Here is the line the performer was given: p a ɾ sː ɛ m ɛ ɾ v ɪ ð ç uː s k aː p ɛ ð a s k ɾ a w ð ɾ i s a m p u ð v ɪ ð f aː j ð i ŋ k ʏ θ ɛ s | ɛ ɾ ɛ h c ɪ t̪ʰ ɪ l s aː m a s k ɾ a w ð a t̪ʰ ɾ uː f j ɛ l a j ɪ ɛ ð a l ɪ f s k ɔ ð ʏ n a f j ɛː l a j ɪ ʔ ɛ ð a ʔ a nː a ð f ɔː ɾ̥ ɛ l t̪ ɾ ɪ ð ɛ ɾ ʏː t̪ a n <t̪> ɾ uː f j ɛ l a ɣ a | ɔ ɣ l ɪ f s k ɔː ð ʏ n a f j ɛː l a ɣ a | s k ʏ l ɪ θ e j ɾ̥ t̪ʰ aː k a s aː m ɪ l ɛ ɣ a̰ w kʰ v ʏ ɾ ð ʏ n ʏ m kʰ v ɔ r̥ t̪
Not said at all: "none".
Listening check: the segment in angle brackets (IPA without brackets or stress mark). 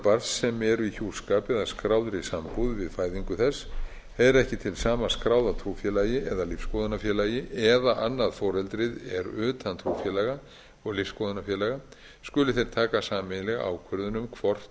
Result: t̪ʰ